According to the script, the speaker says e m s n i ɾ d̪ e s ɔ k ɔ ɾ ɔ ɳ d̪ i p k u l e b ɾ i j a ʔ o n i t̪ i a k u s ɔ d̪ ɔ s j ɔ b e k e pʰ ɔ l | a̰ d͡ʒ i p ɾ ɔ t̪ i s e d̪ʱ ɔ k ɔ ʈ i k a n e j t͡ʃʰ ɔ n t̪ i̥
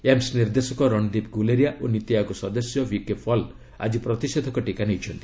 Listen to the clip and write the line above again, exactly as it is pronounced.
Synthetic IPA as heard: e m s n i ɾ d̪ e s ɔ k ɔ ɾ ɔ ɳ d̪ i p ɡ u l e ɾ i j a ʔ o n i t̪ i a k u s ɔ d̪ ɔ s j ɔ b i k e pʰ ɔ l | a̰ d͡ʒ i p ɾ ɔ t̪ i s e d̪ʱ ɔ k ɔ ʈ i k a n e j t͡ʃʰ ɔ n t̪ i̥